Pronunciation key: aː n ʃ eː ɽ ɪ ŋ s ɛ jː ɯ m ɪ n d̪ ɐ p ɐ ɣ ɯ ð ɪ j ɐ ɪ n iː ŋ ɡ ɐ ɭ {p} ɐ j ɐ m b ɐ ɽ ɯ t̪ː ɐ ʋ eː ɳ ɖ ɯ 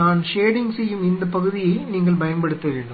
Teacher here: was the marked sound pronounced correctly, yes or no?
no